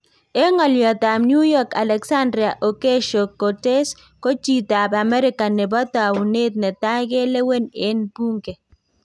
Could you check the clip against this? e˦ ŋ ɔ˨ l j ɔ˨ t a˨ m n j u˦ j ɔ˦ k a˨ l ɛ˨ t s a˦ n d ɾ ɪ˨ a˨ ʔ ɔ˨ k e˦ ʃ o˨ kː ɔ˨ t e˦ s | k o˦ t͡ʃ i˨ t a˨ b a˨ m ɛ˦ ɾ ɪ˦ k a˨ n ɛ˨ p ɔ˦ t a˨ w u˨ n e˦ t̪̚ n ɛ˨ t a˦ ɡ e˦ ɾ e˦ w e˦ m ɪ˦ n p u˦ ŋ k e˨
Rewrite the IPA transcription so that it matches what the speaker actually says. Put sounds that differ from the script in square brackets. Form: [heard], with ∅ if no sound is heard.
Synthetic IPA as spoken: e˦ ŋ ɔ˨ l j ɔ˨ t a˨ m n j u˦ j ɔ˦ k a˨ l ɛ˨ [k] s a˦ n d ɾ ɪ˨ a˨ ʔ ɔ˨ k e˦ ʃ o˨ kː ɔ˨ t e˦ s | k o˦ t͡ʃ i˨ t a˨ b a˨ m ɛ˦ ɾ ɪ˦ k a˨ n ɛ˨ [b] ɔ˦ t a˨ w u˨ n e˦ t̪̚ n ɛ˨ t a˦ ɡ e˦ [l] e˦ w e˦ [n] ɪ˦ n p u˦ ŋ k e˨